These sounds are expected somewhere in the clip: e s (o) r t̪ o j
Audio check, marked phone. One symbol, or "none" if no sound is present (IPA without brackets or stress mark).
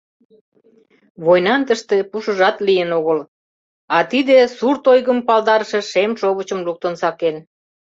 u